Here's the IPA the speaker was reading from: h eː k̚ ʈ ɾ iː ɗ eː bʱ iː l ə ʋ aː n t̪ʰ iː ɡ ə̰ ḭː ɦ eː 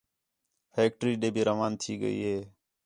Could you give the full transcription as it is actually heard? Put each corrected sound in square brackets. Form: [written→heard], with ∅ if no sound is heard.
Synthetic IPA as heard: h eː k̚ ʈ ɾ iː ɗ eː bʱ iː [l→ɾ] ə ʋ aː n t̪ʰ iː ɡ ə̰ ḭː ɦ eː

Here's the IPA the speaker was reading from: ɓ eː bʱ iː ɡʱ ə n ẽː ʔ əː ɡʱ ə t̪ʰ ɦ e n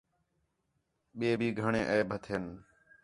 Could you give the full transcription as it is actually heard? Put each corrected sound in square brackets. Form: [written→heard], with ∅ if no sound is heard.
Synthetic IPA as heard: ɓ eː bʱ iː ɡʱ ə [n→ɳ] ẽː ʔ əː [ɡʱ→bʱ] ə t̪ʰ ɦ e n

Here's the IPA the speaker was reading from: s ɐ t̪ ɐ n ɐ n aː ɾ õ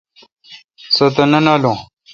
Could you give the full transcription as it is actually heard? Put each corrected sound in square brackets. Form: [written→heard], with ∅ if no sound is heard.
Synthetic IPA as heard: s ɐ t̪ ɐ n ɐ n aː [ɾ→l] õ

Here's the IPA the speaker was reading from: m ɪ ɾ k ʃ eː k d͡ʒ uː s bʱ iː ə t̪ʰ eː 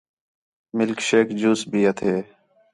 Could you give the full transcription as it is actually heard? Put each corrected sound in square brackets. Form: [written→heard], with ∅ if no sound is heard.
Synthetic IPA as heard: m ɪ [ɾ→l] k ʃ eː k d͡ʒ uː s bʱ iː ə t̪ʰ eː

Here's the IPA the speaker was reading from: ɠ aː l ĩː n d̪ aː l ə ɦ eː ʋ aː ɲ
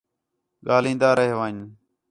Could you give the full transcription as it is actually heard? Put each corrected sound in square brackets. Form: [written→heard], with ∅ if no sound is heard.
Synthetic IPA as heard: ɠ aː l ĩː n d̪ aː [l→ɾ] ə ɦ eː ʋ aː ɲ

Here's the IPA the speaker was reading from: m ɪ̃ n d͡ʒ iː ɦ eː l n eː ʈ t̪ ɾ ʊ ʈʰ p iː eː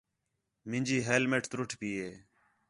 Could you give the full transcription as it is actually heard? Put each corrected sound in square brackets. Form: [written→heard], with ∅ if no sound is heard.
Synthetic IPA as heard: m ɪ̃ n d͡ʒ iː ɦ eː l [n→m] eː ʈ t̪ ɾ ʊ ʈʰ p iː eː

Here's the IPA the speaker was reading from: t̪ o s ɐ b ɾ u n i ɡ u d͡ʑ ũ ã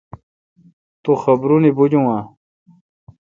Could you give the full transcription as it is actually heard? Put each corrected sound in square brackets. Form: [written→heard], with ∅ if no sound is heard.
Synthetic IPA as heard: t̪ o [s→x] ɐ b ɾ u n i [ɡ→b] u d͡ʑ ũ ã

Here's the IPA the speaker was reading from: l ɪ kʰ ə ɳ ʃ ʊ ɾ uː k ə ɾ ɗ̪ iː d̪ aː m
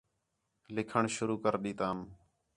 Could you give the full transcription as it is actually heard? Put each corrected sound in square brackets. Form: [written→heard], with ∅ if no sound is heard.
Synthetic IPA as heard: l ɪ kʰ ə ɳ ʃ ʊ ɾ uː k ə ɾ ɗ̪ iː [d̪→t̪] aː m

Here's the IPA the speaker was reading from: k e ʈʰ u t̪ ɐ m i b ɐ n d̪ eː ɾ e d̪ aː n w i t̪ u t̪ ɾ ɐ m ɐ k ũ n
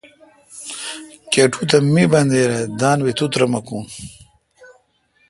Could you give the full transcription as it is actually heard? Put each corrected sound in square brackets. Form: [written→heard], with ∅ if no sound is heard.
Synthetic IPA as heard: k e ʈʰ u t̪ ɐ m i b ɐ n d̪ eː ɾ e d̪ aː n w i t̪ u t̪ ɾ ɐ m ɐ k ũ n

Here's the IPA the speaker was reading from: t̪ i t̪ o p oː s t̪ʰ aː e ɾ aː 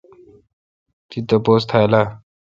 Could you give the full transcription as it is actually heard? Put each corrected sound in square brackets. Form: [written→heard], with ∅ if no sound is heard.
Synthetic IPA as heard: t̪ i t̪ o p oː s t̪ʰ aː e [ɾ→l] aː

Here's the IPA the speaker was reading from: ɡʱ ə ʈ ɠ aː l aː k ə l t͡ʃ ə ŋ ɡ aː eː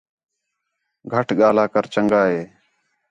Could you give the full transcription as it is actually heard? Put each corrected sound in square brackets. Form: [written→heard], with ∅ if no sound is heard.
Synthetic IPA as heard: ɡʱ ə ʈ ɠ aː l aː k ə [l→ɾ] t͡ʃ ə ŋ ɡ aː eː

